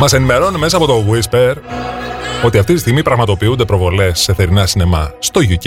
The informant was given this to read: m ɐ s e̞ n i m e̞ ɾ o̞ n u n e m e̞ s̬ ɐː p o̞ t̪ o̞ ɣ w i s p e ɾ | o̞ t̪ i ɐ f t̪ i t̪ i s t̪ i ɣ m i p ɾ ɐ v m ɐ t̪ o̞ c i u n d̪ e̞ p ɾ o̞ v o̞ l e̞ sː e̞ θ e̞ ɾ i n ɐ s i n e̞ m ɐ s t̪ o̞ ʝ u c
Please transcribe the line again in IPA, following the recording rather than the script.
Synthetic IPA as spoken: m ɐ s e̞ n i m e̞ ɾ o̞ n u n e m e̞ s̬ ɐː p o̞ t̪ o̞ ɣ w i s p e ɾ | o̞ t̪ i ɐ f t̪ i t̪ i s t̪ i ɣ m i p ɾ ɐ ɣ m ɐ t̪ o̞ p i u n d̪ e̞ p ɾ o̞ v o̞ l e̞ sː e̞ θ e̞ ɾ i n ɐ s i n e̞ m ɐ s t̪ o̞ ʝ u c